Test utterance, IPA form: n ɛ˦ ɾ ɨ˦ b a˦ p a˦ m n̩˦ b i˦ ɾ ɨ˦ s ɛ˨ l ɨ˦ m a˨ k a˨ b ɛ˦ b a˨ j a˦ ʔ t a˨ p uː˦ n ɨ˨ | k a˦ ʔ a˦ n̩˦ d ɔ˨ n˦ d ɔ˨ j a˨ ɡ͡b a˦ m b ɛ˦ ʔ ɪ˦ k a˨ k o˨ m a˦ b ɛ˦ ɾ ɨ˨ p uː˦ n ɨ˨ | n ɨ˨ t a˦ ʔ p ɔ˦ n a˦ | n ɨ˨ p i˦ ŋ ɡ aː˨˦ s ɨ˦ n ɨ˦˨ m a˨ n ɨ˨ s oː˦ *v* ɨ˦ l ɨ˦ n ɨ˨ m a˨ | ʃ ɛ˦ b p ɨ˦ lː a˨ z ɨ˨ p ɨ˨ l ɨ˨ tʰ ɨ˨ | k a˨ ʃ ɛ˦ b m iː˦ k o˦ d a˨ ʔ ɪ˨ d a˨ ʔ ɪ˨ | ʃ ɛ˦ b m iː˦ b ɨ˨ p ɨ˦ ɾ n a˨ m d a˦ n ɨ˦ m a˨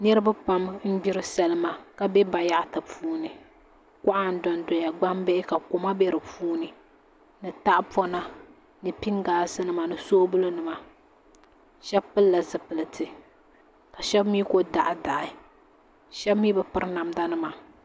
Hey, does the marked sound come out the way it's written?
no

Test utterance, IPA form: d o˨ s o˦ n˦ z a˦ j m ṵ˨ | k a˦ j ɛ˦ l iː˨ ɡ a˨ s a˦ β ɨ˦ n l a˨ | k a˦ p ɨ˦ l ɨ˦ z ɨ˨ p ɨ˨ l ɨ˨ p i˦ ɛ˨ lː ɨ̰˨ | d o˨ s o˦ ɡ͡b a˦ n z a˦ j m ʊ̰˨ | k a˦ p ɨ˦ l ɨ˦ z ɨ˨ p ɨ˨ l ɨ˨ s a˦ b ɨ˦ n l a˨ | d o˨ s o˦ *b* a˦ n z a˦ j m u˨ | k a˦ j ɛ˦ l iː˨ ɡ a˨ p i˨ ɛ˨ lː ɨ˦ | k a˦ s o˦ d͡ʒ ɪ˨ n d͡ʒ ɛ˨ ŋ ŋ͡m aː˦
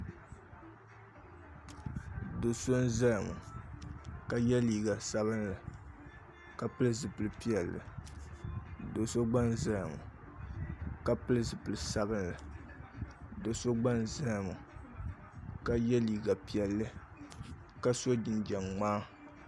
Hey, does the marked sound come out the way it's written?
no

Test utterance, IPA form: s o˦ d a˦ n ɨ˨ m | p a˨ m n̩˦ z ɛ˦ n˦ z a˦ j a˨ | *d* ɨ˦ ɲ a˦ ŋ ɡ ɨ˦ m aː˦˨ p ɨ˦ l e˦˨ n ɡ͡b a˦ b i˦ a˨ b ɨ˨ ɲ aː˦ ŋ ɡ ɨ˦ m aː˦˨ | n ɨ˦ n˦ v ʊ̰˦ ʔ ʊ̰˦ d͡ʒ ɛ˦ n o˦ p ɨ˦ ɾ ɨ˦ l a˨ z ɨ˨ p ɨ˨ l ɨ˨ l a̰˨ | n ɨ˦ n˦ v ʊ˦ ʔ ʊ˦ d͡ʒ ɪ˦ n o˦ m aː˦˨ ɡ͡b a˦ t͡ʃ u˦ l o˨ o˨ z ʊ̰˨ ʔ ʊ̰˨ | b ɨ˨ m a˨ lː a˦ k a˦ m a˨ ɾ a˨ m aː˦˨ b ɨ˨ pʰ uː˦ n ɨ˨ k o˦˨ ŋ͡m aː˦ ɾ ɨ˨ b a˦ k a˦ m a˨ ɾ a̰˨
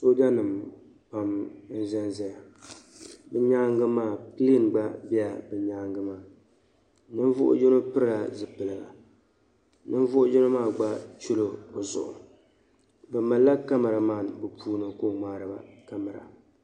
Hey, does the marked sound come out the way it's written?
no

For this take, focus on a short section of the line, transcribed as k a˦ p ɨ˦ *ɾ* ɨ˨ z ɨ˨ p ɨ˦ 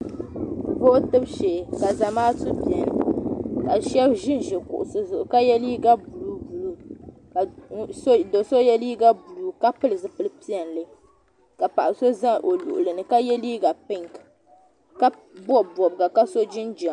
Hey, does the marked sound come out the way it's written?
no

